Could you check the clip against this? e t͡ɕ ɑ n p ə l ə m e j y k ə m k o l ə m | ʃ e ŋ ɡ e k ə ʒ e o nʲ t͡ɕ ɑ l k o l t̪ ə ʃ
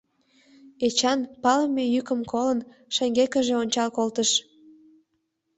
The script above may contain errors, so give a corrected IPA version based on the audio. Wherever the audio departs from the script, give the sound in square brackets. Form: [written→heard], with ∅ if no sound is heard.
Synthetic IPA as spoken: e t͡ɕ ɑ n p [ə→ɑ] l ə m e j y k ə m k o l ə [m→n] | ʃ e ŋ ɡ e k ə ʒ e o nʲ t͡ɕ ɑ l k o l t̪ ə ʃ